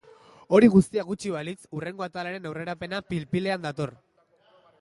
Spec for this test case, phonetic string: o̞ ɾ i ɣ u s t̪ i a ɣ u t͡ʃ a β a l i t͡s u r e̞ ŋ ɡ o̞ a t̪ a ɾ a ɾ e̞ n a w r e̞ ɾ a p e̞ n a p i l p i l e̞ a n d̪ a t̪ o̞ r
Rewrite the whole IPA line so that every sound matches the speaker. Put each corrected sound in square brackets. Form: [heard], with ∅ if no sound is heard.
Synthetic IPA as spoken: o̞ ɾ i ɣ u s t̪ i a ɣ u t͡ʃ [i] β a l i t͡s u r e̞ ŋ ɡ o̞ a t̪ a [l] a ɾ e̞ n a w r e̞ ɾ a p e̞ n a p i l p i l e̞ a n d̪ a t̪ o̞ r